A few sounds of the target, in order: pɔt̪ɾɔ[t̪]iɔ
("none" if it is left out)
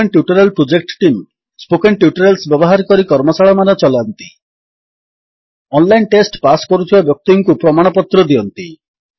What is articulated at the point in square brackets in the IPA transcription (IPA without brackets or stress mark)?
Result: d̪